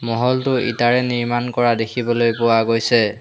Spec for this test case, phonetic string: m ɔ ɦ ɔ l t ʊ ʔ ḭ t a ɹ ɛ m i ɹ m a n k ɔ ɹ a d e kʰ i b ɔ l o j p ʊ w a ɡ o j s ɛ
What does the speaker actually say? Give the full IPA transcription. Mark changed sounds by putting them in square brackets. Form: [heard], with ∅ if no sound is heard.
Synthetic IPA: m ɔ ɦ ɔ l t ʊ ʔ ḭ t a ɹ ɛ [n] i ɹ m a n k ɔ ɹ a d e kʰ i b ɔ l o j p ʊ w a ɡ o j s ɛ